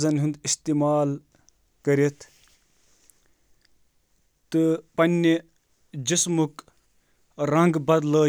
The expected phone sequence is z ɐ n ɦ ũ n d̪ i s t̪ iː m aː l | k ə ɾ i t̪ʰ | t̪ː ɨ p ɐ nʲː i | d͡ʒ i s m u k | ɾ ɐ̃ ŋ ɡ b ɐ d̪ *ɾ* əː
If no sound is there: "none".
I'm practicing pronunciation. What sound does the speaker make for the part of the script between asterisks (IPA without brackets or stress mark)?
l